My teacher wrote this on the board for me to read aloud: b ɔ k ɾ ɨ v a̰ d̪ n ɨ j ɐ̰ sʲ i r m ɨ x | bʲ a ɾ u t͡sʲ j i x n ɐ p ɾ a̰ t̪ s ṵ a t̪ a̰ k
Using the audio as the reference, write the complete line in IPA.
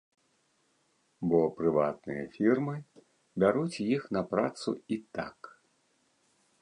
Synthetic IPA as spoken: b ɔ p ɾ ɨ v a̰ t̪ n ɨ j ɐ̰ fʲ i r m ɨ | bʲ a ɾ u t͡sʲ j i x n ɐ p ɾ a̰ t̪ s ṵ i t̪ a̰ k